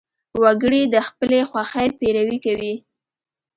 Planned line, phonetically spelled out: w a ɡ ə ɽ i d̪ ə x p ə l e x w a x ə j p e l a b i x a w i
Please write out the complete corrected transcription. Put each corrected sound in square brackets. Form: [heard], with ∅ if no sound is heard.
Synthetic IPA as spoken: w a ɡ ə ɽ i d̪ ə x p ə l e x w a x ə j p e [ɾ] a [w] i [k] a w i